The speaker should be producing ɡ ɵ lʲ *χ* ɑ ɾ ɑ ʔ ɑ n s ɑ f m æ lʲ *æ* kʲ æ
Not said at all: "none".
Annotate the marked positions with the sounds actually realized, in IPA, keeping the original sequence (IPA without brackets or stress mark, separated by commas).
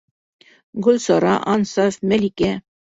s, i